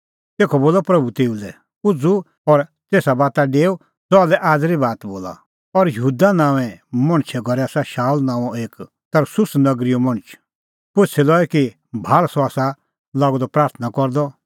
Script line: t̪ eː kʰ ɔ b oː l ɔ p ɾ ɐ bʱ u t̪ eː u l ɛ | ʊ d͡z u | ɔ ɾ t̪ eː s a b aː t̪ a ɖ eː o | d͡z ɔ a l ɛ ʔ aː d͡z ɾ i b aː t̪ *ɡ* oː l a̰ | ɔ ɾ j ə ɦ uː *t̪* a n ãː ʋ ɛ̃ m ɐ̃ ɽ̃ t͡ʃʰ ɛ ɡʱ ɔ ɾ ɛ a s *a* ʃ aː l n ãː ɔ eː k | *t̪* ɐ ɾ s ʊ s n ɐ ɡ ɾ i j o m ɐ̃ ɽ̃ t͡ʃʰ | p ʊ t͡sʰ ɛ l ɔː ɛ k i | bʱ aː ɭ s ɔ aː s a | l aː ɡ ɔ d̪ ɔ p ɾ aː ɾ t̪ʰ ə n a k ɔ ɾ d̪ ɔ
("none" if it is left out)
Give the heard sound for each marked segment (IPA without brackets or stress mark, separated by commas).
b, d̪, a, t̪